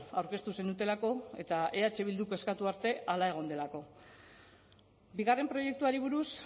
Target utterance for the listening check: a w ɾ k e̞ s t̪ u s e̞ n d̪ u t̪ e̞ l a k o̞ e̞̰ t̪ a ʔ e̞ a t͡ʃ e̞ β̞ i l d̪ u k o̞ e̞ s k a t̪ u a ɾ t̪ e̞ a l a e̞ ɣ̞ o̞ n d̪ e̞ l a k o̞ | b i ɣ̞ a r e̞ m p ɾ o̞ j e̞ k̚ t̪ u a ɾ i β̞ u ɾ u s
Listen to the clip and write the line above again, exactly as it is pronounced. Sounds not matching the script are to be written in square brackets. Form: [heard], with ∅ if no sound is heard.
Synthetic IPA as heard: a w ɾ k e̞ s t̪ u s e̞ n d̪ u t̪ e̞ l a k o̞ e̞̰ t̪ a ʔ e̞ a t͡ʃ e̞ β̞ i l d̪ u k o̞ e̞ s k a t̪ u a ɾ t̪ e̞ a l a e̞ ɣ̞ o̞ n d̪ e̞ l a k o̞ | b i ɣ̞ a r e̞ m p ɾ o̞ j e̞ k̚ t̪ u a ɾ i β̞ u ɾ u s

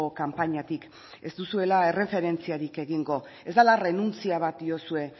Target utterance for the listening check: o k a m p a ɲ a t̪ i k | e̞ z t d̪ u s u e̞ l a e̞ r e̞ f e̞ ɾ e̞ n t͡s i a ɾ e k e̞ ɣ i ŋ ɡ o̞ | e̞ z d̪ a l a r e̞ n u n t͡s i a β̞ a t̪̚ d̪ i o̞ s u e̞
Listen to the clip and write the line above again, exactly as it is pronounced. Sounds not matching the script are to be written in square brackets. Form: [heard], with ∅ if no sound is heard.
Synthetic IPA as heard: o k a m p a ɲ a t̪ i k | e̞ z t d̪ u s u e̞ l a e̞ r e̞ f e̞ ɾ e̞ n t͡s i a ɾ [i] k e̞ ɣ i ŋ ɡ o̞ | e̞ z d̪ a l a r e̞ n u n t͡s i a β̞ a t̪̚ d̪ i o̞ s u e̞

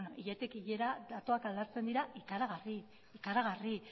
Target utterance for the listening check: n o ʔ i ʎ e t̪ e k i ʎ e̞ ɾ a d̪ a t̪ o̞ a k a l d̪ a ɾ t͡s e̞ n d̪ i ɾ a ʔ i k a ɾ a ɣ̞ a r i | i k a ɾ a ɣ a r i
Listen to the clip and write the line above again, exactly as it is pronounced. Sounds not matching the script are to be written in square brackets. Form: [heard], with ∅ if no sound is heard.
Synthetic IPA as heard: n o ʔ i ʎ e t̪ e k i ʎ e̞ ɾ a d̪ a t̪ o̞ a k a l d̪ a ɾ t͡s e̞ n d̪ i ɾ a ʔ i k a ɾ a ɣ̞ a r i | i k a ɾ a ɣ a r i

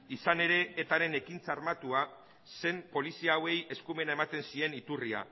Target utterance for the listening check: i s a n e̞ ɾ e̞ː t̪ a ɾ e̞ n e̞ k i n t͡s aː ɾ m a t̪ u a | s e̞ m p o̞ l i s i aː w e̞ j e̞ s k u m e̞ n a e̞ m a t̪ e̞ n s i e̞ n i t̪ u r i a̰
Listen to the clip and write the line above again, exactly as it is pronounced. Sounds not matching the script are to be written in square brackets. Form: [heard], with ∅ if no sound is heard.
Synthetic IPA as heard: i s a n e̞ ɾ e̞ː t̪ a ɾ e̞ n e̞ k i n t͡s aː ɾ m a t̪ u a | s e̞ m p o̞ l i s i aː w e̞ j e̞ s k u m e̞ n a e̞ m a t̪ e̞ n s i e̞ n i t̪ u r i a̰

